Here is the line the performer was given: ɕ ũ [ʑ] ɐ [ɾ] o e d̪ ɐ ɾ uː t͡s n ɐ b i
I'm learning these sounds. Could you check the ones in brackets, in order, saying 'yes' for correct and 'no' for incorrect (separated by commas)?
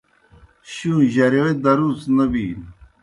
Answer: yes, yes